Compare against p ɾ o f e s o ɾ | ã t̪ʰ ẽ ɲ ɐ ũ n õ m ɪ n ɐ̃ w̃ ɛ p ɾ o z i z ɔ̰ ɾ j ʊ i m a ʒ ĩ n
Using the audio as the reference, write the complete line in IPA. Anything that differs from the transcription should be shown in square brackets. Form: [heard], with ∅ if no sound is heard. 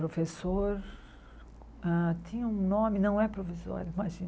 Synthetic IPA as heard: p ɾ o f e s o ɾ | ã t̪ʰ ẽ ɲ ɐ ũ n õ m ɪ n ɐ̃ w̃ ɛ p ɾ o [v] i z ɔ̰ ɾ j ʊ i m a ʒ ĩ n